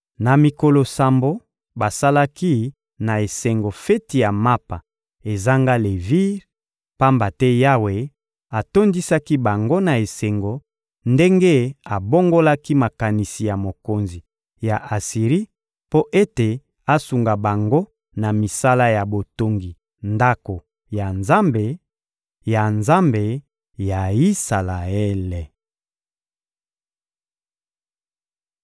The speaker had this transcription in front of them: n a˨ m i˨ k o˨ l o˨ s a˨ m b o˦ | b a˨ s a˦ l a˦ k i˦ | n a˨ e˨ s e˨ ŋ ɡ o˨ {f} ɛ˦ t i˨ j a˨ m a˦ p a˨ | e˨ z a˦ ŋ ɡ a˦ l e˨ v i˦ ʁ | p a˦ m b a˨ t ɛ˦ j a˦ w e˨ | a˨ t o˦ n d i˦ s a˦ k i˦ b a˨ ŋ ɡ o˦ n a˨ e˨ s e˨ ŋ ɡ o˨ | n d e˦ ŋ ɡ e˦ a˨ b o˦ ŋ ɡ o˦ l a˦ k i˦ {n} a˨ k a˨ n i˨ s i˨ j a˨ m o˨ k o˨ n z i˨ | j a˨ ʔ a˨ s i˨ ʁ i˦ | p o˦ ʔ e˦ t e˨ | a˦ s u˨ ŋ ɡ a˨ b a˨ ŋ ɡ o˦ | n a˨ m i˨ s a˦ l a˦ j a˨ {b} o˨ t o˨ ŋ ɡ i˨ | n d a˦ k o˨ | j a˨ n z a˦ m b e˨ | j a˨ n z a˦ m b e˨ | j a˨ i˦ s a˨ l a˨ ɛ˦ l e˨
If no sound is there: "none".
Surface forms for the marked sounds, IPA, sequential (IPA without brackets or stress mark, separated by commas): f, m, b